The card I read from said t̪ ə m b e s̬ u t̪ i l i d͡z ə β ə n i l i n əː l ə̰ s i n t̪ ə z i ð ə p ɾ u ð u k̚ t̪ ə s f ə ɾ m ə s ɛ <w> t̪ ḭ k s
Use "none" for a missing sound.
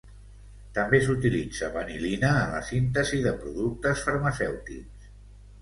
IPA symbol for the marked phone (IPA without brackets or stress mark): w